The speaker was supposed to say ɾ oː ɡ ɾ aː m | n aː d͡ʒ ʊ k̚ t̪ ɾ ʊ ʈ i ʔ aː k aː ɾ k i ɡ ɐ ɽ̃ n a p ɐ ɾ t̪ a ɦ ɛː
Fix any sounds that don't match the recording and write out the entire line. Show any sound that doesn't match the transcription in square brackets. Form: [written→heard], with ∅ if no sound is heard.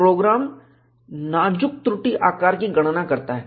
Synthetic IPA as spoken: ɾ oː ɡ ɾ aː m | n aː d͡ʒ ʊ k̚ t̪ ɾ ʊ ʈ i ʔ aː k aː ɾ k i ɡ ɐ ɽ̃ n a [p→k] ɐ ɾ t̪ a ɦ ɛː

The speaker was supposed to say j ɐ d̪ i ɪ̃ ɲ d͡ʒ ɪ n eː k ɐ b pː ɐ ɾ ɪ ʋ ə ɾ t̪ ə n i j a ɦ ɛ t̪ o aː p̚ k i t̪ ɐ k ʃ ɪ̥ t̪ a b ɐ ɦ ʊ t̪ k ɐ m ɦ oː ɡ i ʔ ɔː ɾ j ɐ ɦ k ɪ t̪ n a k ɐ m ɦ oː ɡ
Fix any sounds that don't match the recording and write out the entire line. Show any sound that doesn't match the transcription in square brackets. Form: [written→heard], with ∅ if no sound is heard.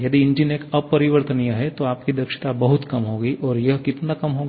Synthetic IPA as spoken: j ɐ d̪ i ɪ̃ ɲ d͡ʒ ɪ n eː k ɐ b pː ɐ ɾ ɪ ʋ ə ɾ t̪ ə n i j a ɦ ɛ t̪ o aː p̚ k i [t̪→d̪] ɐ k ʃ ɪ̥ t̪ a b ɐ ɦ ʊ t̪ k ɐ m ɦ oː ɡ i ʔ ɔː ɾ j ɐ ɦ k ɪ t̪ n a k ɐ m ɦ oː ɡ

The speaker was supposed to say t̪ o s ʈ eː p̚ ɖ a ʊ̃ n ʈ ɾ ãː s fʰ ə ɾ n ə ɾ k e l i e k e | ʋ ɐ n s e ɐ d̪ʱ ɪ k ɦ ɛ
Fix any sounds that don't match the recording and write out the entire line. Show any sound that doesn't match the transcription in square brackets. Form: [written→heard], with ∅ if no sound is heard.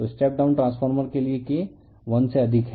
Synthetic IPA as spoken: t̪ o s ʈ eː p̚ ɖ a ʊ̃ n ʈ ɾ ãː s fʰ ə ɾ [n→m] ə ɾ k e l i e k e | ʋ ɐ n s e ɐ d̪ʱ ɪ k ɦ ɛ

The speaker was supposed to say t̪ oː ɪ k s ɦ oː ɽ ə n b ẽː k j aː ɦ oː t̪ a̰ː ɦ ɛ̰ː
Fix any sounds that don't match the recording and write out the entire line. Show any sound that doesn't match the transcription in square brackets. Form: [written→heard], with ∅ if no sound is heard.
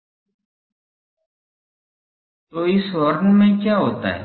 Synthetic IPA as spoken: t̪ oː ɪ [k→∅] s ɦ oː [ɽ→ɾ] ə n [b→m] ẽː k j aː ɦ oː t̪ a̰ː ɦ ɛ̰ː

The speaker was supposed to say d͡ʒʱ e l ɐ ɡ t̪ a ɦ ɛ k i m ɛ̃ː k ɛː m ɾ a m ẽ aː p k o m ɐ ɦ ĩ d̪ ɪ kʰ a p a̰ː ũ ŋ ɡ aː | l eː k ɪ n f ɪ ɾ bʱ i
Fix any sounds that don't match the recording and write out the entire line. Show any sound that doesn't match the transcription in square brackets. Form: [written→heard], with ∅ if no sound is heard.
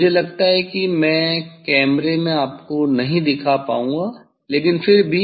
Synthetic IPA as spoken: d͡ʒʱ e l ɐ ɡ t̪ a ɦ ɛ k i m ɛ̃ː k ɛː m ɾ [a→e] m ẽ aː p k o [m→n] ɐ ɦ ĩ d̪ ɪ kʰ a p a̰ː ũ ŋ ɡ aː | l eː k ɪ n f ɪ ɾ bʱ i

